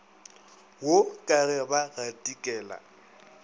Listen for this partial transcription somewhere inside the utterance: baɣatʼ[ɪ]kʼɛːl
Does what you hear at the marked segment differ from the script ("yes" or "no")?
yes